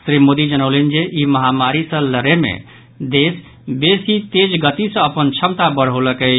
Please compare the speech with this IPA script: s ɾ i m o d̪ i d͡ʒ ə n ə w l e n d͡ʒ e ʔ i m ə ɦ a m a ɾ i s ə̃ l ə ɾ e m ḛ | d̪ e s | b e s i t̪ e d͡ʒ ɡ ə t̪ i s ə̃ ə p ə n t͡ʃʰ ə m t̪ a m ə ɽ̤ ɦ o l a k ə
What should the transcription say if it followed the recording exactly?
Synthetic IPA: s ɾ i m o d̪ i d͡ʒ ə n ə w l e n d͡ʒ e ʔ i m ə ɦ a m a ɾ i s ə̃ l ə ɾ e m ḛ | d̪ e s | b e s i t̪ e d͡ʒ ɡ ə t̪ i s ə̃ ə p ə n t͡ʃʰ ə m t̪ a b ə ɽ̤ ɦ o l ə k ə